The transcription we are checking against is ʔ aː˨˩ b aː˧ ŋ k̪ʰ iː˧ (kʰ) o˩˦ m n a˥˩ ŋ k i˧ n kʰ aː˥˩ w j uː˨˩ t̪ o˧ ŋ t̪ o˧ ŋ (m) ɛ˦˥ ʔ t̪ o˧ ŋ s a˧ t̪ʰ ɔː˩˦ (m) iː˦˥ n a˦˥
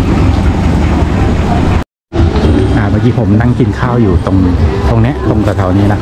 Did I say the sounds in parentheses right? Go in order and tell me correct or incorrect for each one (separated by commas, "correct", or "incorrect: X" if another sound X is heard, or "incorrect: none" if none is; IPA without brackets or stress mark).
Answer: incorrect: pʰ, incorrect: n, incorrect: n